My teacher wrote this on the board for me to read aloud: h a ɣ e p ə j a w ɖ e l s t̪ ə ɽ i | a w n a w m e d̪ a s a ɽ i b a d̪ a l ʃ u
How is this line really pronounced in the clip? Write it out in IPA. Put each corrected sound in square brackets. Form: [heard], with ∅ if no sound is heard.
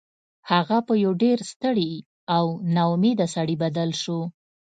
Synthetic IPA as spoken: h a ɣ [a] p ə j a w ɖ e [ɾ] s t̪ ə ɽ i | a w n a w m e d̪ a s a ɽ i b a d̪ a l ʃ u